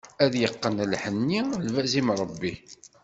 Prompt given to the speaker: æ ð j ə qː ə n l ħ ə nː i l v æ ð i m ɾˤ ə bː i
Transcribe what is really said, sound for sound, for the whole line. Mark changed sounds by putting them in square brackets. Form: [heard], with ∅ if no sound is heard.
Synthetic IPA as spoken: æ ð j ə qː ə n l ħ ə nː i l v æ [z] i m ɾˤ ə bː i